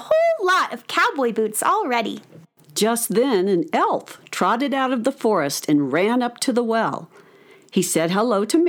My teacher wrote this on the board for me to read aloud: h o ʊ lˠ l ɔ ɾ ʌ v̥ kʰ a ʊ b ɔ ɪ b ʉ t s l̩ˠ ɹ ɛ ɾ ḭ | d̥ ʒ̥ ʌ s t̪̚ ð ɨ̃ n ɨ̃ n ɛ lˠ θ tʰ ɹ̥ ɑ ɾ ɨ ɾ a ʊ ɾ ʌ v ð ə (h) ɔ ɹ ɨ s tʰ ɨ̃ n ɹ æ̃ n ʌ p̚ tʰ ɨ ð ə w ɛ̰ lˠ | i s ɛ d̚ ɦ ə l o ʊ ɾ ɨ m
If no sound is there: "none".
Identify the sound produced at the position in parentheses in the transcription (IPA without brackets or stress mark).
f